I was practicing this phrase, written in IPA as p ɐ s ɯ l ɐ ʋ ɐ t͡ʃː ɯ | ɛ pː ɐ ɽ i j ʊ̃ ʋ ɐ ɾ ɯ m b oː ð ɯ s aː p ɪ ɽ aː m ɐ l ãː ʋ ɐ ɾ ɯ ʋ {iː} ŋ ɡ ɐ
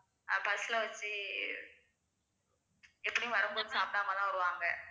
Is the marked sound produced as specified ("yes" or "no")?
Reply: no